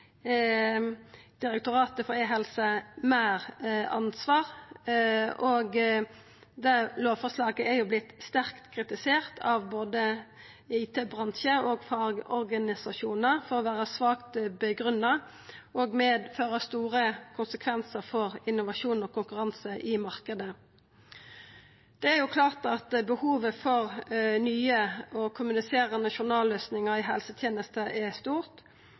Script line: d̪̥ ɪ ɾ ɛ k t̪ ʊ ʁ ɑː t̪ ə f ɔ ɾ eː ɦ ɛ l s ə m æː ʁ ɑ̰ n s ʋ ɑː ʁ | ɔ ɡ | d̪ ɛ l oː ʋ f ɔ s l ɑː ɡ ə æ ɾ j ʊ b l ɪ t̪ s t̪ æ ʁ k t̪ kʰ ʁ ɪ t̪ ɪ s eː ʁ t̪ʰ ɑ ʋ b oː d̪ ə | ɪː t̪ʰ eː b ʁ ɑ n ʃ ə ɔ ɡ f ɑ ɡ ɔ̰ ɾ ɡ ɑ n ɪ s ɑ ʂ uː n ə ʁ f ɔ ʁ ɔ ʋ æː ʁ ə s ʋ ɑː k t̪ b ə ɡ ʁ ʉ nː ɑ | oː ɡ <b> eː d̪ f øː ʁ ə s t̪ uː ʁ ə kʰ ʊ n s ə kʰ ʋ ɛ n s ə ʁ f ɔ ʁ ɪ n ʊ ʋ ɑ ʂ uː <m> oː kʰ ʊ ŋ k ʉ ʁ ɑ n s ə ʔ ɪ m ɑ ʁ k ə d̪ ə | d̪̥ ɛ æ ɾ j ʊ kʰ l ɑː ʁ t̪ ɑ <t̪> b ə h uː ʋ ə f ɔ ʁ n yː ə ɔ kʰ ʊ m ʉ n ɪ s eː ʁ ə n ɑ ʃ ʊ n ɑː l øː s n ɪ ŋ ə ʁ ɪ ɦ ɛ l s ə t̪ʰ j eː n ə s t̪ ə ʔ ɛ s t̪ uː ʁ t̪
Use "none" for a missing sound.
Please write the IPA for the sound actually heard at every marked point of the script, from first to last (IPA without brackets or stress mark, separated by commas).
m, n, t̪